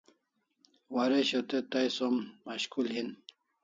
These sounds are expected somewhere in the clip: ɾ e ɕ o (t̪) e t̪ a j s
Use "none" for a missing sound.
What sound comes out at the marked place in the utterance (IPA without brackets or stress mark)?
t̪